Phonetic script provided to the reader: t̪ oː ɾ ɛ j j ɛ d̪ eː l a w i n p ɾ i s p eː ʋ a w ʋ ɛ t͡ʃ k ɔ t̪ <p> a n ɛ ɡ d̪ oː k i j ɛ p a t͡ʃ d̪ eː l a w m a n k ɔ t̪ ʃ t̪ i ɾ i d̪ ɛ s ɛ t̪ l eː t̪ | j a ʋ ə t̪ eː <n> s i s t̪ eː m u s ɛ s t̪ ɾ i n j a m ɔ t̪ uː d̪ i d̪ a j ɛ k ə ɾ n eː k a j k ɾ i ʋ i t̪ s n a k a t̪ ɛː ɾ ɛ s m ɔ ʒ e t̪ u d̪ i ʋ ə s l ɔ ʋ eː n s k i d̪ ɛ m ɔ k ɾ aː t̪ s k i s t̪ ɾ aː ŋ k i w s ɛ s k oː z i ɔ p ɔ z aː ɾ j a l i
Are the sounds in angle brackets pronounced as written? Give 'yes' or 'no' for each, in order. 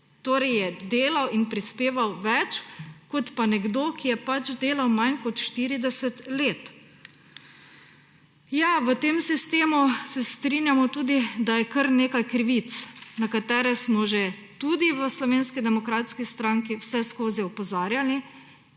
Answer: yes, no

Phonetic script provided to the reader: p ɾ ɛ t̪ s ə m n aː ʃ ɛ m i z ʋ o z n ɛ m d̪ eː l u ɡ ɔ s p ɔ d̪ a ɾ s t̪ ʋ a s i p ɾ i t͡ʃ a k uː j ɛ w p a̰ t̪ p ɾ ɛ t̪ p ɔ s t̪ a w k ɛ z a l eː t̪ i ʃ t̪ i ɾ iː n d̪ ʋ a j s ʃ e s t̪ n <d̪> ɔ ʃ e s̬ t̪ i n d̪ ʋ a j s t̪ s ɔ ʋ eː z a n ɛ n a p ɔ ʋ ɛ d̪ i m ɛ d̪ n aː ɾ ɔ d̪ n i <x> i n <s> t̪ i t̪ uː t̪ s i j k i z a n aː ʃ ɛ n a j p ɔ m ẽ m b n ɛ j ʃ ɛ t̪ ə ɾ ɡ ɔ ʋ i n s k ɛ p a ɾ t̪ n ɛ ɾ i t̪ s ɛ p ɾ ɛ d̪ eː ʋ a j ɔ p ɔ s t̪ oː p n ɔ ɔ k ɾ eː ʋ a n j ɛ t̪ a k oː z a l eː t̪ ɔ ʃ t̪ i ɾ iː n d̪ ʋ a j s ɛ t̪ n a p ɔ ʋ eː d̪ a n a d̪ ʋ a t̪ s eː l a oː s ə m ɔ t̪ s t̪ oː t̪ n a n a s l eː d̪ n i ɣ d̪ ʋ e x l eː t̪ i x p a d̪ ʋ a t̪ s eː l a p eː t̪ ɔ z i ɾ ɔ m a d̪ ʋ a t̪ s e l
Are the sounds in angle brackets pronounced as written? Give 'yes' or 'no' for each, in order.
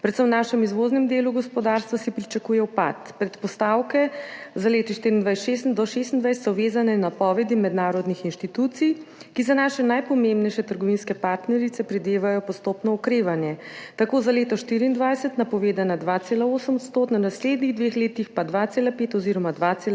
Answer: yes, yes, no

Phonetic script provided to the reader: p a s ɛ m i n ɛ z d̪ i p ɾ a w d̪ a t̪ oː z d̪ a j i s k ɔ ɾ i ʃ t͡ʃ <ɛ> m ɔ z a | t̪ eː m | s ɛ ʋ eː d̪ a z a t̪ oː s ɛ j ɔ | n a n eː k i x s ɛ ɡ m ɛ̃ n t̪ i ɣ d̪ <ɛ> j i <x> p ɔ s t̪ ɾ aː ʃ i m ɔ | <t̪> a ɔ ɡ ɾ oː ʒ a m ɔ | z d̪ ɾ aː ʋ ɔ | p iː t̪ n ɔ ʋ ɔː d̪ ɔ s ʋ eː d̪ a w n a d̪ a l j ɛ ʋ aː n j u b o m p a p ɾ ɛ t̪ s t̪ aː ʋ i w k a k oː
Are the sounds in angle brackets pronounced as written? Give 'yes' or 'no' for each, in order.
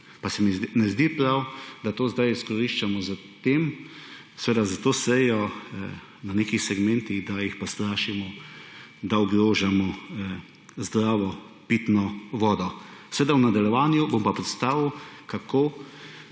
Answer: no, no, yes, no

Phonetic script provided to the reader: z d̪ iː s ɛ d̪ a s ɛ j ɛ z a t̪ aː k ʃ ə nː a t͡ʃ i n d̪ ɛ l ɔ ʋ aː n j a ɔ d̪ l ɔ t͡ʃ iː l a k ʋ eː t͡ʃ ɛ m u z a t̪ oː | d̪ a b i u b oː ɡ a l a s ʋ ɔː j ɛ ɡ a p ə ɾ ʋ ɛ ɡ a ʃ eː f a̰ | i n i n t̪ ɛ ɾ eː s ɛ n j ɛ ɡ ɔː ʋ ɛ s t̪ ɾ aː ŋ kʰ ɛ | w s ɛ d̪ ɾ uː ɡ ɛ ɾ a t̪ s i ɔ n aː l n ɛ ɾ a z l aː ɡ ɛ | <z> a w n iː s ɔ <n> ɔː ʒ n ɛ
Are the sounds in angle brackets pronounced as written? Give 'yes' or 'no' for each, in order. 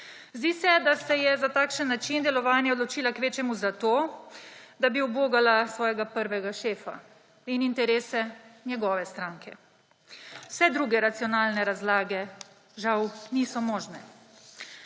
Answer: no, no

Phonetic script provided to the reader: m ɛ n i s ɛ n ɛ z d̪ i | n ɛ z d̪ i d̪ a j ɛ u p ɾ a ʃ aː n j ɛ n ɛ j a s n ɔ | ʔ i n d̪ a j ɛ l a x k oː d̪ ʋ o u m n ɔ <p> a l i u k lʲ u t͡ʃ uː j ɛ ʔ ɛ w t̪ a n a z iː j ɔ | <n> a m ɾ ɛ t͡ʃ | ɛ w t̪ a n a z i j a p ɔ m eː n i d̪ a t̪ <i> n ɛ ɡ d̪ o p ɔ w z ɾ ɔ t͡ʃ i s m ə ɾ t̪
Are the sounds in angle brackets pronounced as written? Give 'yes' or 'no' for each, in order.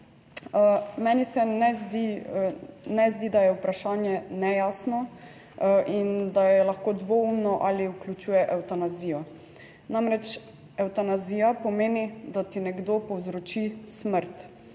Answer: no, yes, yes

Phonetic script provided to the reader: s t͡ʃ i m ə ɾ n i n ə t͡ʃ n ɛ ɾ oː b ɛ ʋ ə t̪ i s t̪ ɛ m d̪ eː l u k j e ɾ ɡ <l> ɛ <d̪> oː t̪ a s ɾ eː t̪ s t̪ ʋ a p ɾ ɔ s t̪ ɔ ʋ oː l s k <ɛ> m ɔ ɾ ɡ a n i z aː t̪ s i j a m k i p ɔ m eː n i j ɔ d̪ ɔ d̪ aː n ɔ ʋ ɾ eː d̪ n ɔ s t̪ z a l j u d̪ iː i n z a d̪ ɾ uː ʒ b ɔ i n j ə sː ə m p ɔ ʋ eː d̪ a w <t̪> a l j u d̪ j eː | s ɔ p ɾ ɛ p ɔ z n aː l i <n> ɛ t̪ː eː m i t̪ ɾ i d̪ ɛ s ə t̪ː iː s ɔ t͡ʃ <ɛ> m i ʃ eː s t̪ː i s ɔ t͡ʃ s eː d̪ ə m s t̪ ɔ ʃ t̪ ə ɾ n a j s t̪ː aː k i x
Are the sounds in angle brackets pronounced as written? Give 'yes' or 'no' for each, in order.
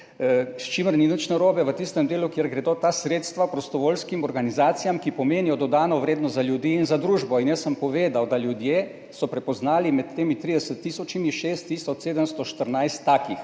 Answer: no, yes, no, no, no, no

